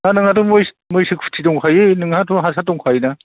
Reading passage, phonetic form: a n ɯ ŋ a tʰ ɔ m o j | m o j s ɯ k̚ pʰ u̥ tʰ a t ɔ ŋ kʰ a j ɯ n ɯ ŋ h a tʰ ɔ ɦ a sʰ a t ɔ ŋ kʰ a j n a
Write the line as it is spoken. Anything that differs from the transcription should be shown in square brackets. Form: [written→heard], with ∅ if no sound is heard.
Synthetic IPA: a n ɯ ŋ a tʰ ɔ m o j | m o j s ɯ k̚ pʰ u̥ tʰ [a→i] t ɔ ŋ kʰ a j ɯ n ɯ ŋ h a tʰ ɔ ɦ a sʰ a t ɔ ŋ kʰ a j n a